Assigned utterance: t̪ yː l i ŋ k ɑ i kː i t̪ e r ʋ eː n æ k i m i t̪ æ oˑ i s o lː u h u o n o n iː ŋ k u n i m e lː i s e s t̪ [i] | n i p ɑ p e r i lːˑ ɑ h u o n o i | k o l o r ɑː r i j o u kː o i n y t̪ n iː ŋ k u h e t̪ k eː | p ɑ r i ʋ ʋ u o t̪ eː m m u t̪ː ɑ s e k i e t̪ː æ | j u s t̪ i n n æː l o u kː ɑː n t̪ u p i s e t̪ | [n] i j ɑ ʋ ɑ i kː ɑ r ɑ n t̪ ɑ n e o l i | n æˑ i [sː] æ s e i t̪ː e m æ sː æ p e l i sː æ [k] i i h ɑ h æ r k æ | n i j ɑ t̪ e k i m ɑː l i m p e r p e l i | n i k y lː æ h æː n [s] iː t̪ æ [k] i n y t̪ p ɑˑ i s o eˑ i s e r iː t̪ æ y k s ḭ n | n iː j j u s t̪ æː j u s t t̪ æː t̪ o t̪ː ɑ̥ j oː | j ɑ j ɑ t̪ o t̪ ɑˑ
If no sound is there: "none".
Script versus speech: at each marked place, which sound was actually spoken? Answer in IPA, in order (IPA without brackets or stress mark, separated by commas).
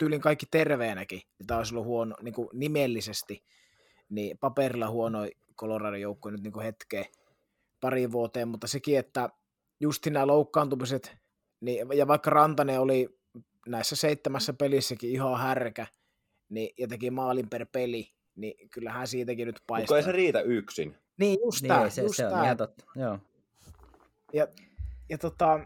i, n, sː, k, s, k